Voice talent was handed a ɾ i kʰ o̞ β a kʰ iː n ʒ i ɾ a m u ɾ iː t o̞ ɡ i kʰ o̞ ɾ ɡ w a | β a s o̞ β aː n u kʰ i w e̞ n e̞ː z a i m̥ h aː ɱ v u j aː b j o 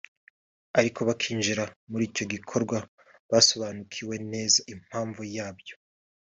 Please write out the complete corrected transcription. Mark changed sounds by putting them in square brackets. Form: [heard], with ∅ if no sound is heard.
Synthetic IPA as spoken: a ɾ i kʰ o̞ β a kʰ iː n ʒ i ɾ a m u ɾ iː [c] o̞ ɡ i kʰ o̞ ɾ ɡ w a | β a s o̞ β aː n u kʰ i w e̞ n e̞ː z a i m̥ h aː ɱ v u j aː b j o

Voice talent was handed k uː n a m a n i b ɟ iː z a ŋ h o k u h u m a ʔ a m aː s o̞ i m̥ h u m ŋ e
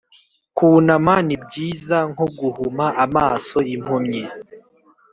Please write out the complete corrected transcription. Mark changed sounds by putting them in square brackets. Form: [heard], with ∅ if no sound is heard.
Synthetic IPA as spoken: k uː n a m a n i b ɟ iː z a ŋ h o [ɡ] u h u m a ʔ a m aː s o̞ i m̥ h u m [ɲ] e

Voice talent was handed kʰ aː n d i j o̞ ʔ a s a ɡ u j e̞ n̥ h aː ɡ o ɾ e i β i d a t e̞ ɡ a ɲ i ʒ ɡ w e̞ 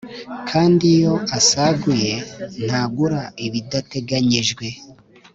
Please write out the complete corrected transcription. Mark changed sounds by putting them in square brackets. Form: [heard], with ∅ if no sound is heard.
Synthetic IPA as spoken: kʰ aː n d i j o̞ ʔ a s a ɡ u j e̞ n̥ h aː ɡ [u] ɾ [a] i β i d a t e̞ ɡ a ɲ i ʒ ɡ w e̞

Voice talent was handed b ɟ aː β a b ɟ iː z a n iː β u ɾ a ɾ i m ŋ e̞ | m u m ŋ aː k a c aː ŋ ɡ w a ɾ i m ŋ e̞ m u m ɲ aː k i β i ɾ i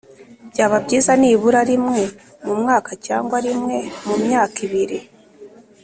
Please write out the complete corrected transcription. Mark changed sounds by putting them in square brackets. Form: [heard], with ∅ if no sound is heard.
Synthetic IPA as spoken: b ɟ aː β a b ɟ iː z a n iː β u ɾ a ɾ i m ŋ e̞ | m u m ŋ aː k a c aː ŋ ɡ w a ɾ i m ŋ e̞ m u m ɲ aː k i β i ɾ i

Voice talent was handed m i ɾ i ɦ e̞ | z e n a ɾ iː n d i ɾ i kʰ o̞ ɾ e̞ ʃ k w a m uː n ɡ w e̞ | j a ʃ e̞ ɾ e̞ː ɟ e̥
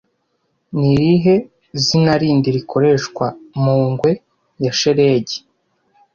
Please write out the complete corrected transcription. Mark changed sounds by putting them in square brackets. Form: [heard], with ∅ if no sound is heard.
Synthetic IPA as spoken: [n] i ɾ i ɦ e̞ | z [i] n a ɾ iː n d i ɾ i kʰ o̞ ɾ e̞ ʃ k w a m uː [ŋ] ɡ w e̞ | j a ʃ e̞ ɾ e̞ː ɟ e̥

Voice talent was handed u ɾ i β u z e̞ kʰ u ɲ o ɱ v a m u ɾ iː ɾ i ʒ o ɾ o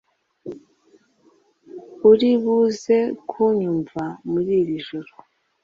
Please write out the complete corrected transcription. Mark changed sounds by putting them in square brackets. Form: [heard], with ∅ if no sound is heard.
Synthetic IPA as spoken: u ɾ i β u z e̞ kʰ u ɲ [u] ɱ v a m u ɾ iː ɾ i ʒ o ɾ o

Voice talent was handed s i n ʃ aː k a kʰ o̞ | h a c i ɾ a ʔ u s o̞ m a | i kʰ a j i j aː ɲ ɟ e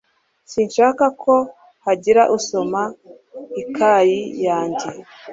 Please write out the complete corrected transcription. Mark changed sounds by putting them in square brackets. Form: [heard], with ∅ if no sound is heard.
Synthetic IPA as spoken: s i n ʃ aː k a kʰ o̞ | h a [ɟ] i ɾ a ʔ u s o̞ m a | i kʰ a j i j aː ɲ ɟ e

